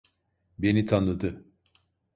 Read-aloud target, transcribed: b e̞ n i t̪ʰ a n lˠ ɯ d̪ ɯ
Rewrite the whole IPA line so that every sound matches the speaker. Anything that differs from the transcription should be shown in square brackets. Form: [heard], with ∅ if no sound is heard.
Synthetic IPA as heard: b e̞ n i t̪ʰ a n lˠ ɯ d̪ ɯ